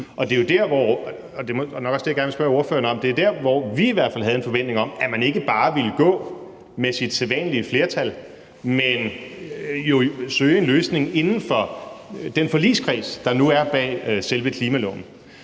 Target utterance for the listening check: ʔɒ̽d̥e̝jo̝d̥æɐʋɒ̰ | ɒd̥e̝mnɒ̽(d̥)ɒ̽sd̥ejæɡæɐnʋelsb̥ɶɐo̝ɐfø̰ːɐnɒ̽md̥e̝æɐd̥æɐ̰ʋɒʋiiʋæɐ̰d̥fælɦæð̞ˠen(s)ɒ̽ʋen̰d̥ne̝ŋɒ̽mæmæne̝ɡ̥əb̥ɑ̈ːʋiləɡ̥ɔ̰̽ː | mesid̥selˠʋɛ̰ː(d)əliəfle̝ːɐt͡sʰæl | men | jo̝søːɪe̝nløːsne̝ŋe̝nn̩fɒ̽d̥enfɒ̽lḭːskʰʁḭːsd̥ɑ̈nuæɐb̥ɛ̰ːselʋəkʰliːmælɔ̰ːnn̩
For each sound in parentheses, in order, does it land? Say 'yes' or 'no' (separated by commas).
no, no, no